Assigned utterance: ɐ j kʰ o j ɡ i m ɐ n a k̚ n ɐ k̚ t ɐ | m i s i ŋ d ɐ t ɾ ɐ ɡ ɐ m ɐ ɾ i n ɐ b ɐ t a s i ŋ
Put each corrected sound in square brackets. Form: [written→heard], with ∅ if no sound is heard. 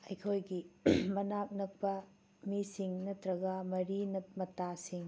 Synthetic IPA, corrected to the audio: ɐ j kʰ o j ɡ i m ɐ n a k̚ n ɐ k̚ [t→p] ɐ | m i s i ŋ [d→n] ɐ t ɾ ɐ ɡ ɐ m ɐ ɾ i n ɐ [b→m] ɐ t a s i ŋ